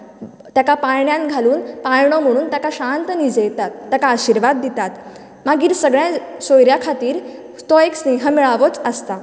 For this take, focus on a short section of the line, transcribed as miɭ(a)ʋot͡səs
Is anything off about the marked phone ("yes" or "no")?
no